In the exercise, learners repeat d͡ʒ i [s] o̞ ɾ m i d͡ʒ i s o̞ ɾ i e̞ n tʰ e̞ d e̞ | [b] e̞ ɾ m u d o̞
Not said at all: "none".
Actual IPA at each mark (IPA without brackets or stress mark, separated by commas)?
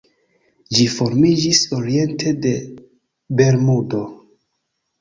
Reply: f, b